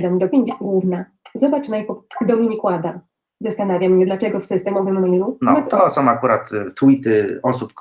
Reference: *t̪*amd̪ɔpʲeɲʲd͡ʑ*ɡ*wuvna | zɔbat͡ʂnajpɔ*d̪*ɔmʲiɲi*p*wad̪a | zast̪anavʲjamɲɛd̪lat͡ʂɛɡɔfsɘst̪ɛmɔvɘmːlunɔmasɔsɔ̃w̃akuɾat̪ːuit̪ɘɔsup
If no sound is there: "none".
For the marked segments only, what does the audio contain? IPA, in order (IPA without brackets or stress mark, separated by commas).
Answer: d̪, ɡ, d̪, k